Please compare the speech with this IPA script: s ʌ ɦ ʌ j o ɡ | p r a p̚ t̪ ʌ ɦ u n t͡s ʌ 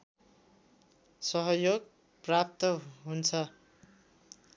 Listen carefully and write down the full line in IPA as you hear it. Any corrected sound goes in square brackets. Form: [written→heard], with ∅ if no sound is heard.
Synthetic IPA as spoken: s ʌ ɦ ʌ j o ɡ | p r a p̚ t̪ ʌ ɦ u n [t͡s→t͡sʰ] ʌ